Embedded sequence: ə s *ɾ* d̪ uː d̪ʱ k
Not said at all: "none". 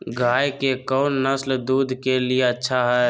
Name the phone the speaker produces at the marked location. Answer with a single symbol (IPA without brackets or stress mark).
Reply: l